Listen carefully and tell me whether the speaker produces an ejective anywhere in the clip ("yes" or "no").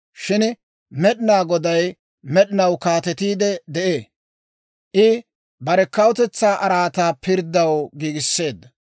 no